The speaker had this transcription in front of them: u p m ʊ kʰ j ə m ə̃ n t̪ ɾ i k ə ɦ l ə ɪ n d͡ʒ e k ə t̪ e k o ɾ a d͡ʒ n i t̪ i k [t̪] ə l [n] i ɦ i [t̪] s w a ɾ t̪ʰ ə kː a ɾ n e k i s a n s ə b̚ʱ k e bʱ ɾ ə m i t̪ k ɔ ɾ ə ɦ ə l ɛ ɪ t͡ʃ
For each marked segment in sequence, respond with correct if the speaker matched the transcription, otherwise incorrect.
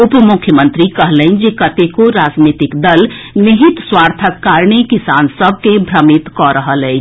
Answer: incorrect: d̪, correct, correct

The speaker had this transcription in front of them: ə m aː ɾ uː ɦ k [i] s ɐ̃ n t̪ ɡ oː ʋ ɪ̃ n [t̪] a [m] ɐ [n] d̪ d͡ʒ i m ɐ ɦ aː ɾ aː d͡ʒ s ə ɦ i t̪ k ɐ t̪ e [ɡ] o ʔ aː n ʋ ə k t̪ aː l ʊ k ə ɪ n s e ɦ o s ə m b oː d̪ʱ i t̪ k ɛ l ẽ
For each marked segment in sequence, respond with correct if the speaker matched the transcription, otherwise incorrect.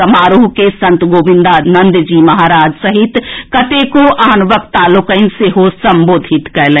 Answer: incorrect: e, incorrect: d̪, incorrect: n, correct, incorrect: k

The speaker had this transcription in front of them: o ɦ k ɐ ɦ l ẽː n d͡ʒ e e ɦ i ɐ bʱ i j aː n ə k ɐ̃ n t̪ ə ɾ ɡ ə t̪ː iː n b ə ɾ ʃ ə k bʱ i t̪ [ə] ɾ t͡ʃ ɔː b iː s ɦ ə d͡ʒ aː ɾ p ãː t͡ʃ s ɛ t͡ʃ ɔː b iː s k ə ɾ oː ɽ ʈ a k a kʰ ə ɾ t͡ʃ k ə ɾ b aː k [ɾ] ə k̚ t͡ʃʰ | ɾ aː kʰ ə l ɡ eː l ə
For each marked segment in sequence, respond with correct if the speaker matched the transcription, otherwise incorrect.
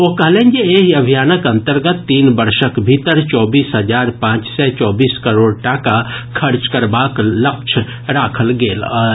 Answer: correct, incorrect: l

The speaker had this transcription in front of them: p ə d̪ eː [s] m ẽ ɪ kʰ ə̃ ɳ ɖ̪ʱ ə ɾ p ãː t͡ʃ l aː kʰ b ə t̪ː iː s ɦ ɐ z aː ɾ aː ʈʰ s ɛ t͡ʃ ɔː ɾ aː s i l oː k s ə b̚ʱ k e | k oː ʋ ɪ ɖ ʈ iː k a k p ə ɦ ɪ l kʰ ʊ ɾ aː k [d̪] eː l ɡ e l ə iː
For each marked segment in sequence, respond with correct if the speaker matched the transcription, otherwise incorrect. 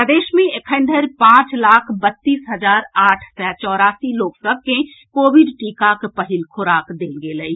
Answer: incorrect: ʃ, correct

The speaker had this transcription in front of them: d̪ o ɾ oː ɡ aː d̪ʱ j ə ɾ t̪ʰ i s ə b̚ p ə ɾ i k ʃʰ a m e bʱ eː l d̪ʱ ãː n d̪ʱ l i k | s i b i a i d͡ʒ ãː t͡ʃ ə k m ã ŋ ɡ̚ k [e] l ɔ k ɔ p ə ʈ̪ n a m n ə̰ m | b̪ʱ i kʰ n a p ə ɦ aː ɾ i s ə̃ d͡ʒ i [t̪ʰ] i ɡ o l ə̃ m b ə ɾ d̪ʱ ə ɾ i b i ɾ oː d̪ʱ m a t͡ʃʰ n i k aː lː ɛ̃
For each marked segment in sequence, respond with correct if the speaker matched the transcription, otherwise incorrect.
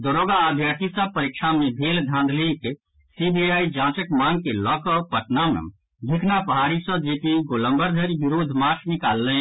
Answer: correct, incorrect: t̪

